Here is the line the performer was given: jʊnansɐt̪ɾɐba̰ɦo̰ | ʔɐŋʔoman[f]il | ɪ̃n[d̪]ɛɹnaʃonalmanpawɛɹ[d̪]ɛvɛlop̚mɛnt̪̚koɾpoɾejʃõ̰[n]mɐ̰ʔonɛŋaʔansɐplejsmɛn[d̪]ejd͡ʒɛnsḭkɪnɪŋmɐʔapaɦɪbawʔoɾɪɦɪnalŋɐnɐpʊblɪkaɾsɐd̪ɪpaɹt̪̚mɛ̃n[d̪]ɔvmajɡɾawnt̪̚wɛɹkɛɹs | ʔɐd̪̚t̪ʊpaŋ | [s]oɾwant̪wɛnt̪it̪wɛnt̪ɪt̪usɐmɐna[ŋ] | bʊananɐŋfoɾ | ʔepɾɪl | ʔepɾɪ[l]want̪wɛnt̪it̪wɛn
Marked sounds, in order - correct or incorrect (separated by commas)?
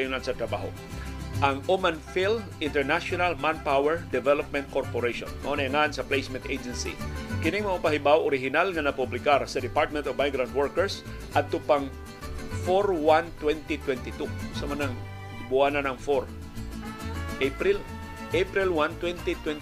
correct, incorrect, correct, correct, incorrect, incorrect, incorrect, correct, correct